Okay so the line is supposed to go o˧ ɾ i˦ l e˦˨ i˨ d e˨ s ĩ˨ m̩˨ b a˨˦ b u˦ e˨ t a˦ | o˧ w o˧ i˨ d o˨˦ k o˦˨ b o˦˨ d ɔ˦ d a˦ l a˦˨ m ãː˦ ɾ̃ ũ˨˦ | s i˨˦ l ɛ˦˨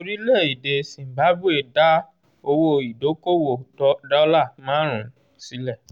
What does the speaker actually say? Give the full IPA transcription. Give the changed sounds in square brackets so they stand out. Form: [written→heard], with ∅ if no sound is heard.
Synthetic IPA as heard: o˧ ɾ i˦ l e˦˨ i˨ d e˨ s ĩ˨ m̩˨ b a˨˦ b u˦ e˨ [t→d] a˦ | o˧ w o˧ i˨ d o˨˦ k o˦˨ [b→w] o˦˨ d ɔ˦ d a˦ l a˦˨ m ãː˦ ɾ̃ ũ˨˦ | s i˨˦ l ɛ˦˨